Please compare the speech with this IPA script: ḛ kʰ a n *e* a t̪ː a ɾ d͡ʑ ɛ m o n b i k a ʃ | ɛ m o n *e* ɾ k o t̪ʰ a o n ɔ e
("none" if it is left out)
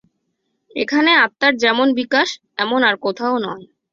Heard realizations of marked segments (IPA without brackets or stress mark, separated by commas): e, a